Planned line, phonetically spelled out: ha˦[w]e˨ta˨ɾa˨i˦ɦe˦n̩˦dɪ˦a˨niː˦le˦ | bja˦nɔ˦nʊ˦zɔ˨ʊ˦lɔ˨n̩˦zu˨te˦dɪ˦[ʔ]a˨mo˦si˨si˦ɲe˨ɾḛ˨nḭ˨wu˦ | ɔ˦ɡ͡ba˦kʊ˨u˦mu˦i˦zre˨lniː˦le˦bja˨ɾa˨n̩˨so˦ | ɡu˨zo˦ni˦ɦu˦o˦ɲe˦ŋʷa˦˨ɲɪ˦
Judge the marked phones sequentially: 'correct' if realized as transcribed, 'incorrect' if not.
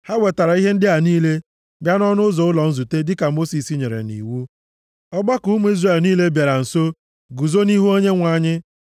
correct, incorrect

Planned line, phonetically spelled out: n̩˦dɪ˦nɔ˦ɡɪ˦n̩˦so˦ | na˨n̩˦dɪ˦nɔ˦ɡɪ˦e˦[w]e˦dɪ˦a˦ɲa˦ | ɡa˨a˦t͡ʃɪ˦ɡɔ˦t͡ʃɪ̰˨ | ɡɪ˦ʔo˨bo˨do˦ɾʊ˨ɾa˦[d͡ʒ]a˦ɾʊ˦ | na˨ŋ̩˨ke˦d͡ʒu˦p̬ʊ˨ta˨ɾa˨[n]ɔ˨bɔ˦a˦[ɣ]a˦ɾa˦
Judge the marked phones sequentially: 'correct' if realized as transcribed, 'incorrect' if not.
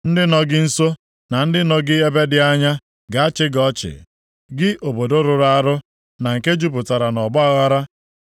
incorrect, incorrect, correct, correct

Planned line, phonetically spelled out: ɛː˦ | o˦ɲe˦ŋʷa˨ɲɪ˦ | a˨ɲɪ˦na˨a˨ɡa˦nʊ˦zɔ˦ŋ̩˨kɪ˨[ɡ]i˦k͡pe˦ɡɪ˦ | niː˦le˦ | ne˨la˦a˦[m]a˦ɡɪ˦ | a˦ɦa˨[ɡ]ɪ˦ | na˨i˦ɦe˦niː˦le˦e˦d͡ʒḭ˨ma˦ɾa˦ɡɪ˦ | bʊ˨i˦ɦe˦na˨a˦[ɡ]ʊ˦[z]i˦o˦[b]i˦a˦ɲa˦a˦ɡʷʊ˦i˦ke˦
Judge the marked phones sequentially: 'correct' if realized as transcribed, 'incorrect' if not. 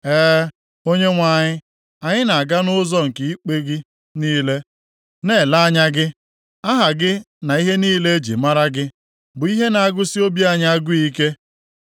incorrect, incorrect, correct, correct, incorrect, correct

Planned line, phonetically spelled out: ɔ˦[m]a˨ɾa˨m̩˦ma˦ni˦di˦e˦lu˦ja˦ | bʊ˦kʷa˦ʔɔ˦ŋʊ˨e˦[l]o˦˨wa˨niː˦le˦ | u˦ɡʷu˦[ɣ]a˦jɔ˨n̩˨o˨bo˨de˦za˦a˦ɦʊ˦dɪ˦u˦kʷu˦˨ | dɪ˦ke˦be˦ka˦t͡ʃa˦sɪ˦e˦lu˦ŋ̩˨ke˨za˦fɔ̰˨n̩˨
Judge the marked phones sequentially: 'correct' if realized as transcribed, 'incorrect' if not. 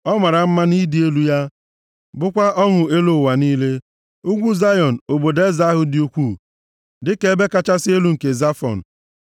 correct, correct, incorrect

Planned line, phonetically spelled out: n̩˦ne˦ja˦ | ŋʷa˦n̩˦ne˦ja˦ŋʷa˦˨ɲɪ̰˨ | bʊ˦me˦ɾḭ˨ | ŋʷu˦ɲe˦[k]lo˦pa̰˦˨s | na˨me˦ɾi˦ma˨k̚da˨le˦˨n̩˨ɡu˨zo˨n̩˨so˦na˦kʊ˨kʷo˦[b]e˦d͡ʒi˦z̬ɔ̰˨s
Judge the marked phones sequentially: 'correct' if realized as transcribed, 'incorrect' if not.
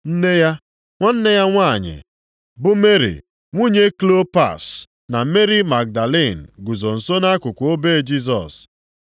correct, correct

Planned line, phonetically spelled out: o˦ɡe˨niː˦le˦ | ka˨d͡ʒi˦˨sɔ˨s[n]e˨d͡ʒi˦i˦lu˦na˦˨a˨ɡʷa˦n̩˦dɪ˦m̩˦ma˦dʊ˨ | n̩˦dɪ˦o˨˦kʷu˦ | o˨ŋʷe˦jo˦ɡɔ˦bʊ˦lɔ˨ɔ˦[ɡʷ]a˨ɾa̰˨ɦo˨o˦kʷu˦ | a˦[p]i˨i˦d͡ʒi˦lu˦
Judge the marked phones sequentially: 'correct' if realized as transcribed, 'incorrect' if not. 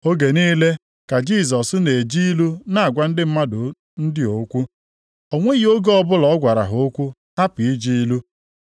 correct, correct, correct

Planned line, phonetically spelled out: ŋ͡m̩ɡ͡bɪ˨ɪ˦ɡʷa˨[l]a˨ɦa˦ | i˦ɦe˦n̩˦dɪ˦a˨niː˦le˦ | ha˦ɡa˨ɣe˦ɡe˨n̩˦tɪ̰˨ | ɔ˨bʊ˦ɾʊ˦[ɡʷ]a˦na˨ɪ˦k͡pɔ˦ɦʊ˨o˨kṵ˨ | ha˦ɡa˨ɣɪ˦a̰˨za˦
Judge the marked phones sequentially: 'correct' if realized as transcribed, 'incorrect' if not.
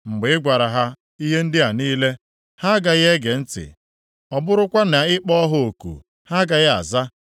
incorrect, incorrect

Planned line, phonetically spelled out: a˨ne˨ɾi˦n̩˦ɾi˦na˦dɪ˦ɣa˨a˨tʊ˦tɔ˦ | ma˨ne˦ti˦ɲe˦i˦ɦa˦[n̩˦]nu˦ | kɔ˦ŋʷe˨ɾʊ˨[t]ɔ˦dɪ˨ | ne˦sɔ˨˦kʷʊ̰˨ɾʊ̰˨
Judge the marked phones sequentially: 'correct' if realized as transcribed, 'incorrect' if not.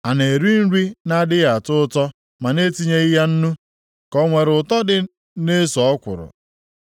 correct, correct

